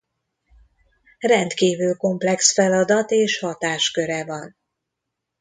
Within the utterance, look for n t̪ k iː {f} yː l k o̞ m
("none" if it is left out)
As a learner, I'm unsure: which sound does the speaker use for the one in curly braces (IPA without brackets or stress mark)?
v